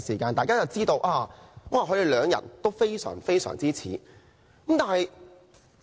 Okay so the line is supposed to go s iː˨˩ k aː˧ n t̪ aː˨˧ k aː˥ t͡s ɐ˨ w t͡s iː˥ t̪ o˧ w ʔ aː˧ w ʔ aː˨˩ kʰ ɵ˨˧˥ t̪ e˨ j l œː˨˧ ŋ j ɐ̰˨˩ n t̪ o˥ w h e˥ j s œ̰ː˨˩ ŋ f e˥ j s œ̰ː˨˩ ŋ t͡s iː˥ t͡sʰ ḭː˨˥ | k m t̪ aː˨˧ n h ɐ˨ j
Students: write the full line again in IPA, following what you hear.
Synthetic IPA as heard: s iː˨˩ k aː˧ n t̪ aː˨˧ k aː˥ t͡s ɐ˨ w t͡s iː˥ t̪ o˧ w ʔ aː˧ w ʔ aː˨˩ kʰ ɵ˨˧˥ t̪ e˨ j l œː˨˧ ŋ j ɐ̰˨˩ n t̪ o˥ w f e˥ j s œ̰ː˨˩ ŋ f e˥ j s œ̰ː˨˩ ŋ t͡s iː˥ t͡sʰ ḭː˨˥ | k m t̪ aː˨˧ n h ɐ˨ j